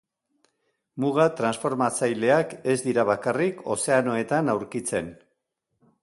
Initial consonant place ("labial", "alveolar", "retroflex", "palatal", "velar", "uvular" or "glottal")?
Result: labial